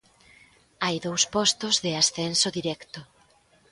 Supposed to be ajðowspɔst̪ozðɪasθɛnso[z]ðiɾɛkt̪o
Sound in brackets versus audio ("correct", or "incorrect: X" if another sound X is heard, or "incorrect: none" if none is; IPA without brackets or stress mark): incorrect: none